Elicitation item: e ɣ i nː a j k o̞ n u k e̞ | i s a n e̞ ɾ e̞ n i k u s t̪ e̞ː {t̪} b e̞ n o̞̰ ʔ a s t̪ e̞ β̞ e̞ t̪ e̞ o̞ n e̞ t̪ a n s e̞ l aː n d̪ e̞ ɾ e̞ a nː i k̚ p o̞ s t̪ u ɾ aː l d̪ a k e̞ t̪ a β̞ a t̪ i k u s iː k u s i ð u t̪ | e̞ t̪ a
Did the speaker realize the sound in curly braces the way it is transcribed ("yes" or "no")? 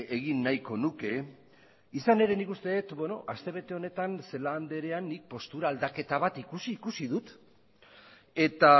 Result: yes